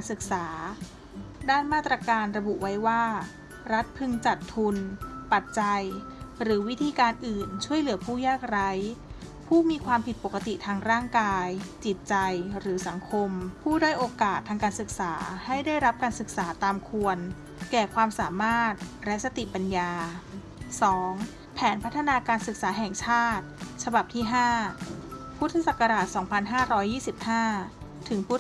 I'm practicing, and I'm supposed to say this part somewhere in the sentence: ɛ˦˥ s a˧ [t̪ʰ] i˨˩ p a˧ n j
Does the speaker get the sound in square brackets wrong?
yes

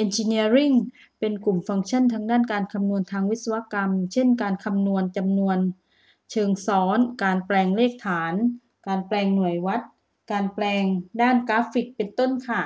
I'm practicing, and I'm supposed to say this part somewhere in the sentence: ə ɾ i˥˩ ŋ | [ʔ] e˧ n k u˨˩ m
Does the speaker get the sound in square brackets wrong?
yes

